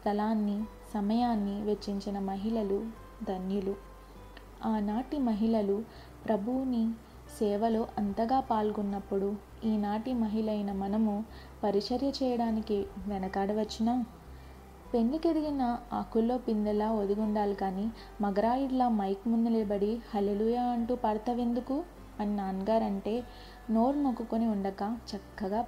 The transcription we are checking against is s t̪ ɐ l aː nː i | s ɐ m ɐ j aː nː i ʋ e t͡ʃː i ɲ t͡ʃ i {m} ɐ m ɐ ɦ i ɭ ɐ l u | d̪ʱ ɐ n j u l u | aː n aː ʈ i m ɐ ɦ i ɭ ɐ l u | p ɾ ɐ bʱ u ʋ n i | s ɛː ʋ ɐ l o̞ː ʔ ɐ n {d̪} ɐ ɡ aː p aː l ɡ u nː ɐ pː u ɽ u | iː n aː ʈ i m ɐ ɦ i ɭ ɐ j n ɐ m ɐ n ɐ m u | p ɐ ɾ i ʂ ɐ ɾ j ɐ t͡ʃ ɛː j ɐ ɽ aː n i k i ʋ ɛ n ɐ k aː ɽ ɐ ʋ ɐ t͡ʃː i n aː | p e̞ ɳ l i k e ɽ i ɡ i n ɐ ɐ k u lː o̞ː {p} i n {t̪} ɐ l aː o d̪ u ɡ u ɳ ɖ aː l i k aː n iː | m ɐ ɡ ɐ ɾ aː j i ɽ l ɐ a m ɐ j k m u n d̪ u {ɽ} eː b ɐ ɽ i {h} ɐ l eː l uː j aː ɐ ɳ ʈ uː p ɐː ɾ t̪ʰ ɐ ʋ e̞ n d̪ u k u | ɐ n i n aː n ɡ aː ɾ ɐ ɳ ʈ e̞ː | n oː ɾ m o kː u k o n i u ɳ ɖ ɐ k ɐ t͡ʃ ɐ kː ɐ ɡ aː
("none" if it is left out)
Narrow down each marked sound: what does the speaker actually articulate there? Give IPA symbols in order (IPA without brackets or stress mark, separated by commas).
n, t̪, p, d̪, l, h